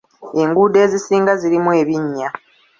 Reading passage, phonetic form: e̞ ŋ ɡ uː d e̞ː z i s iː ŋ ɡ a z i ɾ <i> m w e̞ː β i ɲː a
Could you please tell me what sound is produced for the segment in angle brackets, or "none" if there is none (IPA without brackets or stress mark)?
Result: i